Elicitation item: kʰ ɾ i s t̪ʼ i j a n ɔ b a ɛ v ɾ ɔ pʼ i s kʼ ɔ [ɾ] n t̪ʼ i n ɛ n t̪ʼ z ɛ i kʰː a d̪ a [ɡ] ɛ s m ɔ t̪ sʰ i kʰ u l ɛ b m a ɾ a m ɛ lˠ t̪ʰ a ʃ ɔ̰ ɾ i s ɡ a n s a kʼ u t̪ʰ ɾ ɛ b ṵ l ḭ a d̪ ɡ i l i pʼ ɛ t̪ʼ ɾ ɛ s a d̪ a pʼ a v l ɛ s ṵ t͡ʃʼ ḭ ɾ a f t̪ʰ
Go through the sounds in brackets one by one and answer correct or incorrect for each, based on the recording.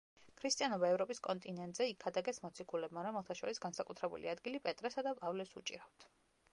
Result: incorrect: none, correct

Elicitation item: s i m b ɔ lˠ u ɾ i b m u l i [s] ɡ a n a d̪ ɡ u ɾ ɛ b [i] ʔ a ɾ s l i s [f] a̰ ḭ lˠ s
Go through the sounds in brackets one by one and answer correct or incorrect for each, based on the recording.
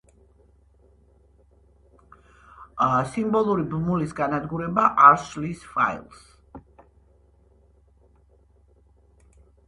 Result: correct, incorrect: a, correct

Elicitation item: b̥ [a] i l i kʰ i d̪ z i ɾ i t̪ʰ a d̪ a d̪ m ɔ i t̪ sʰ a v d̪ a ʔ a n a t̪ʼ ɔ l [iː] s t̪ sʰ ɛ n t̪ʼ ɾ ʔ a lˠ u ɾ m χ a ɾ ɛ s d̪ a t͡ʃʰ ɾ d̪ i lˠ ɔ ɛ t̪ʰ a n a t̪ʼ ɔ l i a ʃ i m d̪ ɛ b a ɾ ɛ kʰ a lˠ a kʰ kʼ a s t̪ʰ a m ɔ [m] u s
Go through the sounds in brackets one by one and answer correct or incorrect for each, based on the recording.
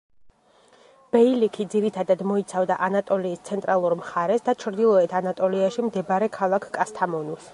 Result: incorrect: ɛ, correct, incorrect: n

